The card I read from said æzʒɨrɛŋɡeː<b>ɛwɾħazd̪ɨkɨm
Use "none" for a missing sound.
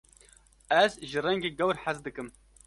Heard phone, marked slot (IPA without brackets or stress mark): ɡ